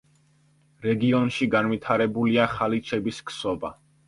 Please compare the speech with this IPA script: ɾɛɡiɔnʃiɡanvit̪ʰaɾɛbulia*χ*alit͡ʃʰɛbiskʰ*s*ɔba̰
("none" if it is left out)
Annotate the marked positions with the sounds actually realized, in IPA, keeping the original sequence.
χ, s

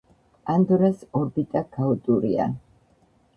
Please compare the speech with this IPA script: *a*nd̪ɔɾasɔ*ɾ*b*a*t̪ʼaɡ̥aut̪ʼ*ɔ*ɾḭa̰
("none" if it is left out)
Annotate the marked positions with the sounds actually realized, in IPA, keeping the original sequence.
a, ɾ, i, u

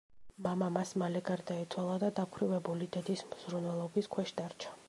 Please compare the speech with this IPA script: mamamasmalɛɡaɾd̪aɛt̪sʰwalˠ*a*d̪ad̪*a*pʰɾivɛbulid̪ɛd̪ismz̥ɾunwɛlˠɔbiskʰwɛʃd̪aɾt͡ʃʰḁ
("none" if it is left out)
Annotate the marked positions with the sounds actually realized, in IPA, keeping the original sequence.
a, a

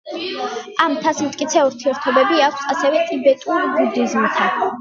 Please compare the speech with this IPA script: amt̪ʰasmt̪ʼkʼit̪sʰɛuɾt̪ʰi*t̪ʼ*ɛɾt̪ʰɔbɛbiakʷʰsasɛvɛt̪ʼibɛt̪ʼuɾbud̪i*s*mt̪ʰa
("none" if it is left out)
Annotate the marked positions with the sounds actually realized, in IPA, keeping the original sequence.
none, z

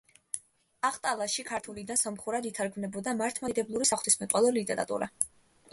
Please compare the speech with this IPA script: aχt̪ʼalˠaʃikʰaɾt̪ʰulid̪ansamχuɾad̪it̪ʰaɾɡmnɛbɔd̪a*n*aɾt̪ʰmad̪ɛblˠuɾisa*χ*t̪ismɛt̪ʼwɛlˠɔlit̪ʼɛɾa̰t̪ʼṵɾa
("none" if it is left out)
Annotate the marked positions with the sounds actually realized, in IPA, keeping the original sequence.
m, χ

